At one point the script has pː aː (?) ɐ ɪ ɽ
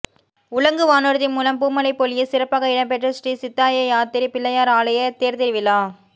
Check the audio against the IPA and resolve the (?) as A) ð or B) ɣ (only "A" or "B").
B